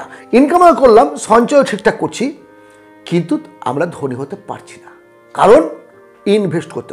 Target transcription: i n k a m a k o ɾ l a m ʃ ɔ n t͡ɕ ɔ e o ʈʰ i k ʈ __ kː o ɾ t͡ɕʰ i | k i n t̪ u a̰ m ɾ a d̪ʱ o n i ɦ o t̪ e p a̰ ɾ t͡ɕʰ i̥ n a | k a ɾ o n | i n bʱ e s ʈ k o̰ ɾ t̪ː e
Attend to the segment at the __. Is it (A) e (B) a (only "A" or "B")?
B